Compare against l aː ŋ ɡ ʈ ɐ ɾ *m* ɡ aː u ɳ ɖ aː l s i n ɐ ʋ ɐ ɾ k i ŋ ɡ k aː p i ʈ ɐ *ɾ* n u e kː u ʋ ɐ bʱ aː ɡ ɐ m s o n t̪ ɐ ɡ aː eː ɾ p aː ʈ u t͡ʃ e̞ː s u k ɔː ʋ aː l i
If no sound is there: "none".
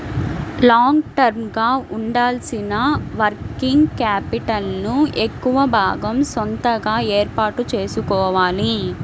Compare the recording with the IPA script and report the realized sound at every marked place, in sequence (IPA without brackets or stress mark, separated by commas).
m, l